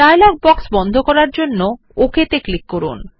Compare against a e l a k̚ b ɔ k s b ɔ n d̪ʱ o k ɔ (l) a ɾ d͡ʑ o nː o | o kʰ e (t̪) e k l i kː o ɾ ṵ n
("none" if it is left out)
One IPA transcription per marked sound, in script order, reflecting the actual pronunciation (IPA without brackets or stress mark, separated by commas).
ɾ, t̪